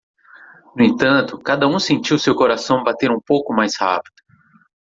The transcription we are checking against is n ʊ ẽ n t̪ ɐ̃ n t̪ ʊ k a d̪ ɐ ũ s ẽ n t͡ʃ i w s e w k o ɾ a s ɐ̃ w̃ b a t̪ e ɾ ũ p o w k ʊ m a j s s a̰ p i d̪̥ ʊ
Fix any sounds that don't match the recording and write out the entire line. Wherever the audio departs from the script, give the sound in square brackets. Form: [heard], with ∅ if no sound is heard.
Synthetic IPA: n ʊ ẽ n t̪ ɐ̃ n t̪ ʊ k a d̪ ɐ ũ s ẽ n t͡ʃ i w s e w k o ɾ a s ɐ̃ w̃ b a t̪ e ɾ ũ p o w k ʊ m a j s [h] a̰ p i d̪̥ ʊ